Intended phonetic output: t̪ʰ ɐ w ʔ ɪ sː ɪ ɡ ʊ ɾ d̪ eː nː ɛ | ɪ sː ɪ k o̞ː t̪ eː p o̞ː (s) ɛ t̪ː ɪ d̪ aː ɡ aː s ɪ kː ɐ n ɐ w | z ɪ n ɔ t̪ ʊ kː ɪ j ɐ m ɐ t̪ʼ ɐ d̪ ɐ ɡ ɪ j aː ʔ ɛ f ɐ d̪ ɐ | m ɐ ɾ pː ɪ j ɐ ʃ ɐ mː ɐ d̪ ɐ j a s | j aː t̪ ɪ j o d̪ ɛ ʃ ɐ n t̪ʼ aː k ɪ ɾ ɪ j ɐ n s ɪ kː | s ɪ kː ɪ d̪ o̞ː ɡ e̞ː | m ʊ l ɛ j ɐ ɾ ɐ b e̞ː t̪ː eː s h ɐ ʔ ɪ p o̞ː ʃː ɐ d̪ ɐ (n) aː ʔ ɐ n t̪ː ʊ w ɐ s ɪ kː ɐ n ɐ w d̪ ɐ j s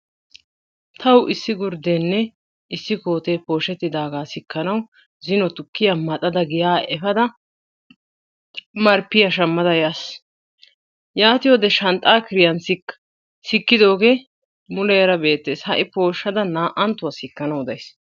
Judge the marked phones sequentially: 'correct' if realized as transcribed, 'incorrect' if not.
incorrect: ʃ, correct

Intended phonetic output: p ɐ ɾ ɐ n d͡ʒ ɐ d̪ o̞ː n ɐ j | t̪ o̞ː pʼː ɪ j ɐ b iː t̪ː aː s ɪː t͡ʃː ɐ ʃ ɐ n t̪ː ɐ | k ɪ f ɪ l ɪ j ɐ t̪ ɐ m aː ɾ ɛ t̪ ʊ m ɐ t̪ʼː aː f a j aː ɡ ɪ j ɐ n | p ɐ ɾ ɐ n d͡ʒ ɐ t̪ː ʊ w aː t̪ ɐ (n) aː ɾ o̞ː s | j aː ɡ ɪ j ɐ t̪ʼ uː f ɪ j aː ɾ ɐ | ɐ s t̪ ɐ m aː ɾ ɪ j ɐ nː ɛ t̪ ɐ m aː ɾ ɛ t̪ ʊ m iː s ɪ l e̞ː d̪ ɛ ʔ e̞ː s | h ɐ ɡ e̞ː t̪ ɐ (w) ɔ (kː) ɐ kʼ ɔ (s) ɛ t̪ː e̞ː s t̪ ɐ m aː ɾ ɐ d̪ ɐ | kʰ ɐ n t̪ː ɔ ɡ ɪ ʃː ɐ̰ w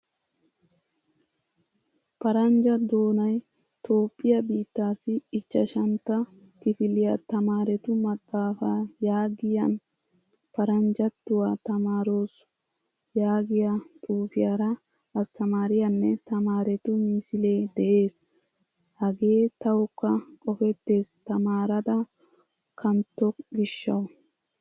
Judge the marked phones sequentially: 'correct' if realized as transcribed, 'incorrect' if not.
incorrect: m, correct, correct, incorrect: f

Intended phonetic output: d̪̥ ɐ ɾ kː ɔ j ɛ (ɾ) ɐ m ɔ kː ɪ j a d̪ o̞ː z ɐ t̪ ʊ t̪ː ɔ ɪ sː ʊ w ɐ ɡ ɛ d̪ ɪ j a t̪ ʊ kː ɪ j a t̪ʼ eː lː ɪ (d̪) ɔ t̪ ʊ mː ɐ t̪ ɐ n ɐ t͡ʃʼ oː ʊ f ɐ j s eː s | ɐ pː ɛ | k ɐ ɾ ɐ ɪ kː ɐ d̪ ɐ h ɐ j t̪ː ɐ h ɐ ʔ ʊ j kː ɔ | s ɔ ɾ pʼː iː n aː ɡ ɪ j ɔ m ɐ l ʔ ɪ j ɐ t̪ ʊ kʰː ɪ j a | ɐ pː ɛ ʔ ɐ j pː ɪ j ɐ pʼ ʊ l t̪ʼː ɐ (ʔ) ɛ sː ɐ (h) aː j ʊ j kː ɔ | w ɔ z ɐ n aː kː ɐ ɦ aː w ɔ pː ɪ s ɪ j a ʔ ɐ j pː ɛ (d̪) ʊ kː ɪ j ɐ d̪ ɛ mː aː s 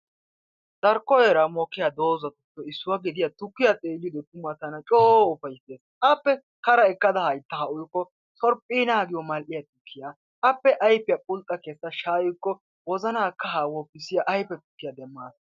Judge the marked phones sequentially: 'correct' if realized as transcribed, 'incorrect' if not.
correct, correct, incorrect: k, incorrect: ʃ, incorrect: t̪

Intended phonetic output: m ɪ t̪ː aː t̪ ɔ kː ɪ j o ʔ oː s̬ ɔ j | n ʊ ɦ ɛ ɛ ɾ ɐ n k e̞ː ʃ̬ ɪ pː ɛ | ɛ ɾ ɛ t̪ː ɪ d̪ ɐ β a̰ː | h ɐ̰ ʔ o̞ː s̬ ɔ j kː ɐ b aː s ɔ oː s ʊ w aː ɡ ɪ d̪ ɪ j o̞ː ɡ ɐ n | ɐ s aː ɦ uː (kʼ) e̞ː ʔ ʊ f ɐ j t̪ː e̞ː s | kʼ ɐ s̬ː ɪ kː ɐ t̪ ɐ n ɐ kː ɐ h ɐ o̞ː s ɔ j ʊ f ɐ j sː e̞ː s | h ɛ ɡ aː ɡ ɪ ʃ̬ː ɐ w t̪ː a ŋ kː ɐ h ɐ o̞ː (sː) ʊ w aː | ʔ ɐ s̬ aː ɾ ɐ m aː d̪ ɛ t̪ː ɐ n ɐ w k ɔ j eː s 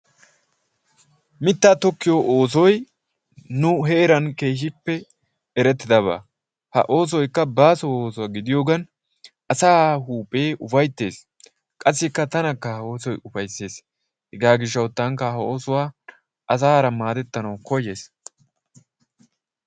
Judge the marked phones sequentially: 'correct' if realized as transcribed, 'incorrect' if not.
incorrect: pʼ, incorrect: s

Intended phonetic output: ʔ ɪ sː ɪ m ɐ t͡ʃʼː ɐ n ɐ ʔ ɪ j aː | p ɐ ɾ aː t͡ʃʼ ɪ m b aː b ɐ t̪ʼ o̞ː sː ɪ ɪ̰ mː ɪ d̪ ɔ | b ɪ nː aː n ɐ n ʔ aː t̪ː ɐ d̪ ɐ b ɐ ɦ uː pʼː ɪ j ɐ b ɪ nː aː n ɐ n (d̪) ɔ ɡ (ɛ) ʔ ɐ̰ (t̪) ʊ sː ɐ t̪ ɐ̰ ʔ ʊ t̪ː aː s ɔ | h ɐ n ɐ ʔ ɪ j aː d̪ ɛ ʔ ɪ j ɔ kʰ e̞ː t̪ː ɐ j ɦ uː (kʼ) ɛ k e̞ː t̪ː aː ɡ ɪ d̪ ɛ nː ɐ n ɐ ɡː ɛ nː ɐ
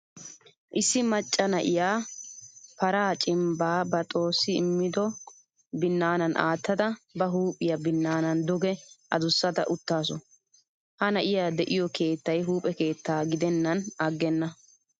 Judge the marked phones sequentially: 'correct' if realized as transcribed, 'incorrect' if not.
correct, correct, incorrect: d̪, incorrect: pʼ

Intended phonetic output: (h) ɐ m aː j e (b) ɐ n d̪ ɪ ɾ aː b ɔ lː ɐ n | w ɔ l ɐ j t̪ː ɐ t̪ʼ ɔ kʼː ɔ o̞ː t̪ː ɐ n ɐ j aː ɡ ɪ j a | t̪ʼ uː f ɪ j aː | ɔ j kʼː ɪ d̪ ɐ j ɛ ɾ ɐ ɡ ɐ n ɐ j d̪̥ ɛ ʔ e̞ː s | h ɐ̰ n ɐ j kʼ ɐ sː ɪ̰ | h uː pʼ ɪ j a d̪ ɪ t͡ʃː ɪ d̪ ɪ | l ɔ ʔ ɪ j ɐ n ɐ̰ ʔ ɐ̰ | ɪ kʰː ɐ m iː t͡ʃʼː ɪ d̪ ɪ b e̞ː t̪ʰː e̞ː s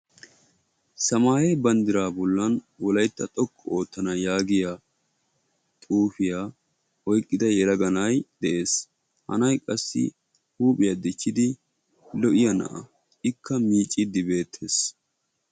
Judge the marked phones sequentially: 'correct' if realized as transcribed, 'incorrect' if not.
incorrect: s, correct

